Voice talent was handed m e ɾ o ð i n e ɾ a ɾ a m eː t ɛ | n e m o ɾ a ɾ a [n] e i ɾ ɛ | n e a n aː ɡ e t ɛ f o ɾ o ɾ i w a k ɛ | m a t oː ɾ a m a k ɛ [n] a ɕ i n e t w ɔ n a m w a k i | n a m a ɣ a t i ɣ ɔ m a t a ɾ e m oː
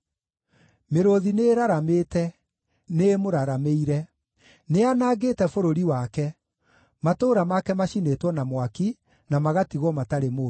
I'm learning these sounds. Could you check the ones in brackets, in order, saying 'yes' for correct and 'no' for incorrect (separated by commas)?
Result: no, no